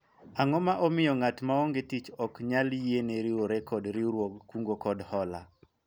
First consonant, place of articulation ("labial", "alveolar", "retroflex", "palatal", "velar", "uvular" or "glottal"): velar